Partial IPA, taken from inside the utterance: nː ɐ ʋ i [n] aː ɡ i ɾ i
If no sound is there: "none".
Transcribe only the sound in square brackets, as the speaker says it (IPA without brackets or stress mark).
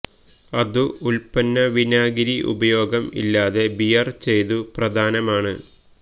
n